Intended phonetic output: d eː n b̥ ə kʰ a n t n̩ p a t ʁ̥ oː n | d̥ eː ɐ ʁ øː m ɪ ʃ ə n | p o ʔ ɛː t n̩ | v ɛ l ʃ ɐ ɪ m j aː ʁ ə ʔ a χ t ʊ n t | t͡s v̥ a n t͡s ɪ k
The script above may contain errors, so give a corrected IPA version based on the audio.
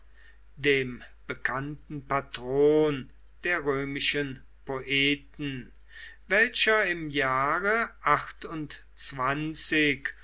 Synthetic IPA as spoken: d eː m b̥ ə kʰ a n t n̩ p a t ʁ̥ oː n | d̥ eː ɐ ʁ øː m ɪ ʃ ə n | p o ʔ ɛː t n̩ | v ɛ l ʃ ɐ ɪ m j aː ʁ ə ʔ a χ t ʊ n t | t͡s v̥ a n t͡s ɪ k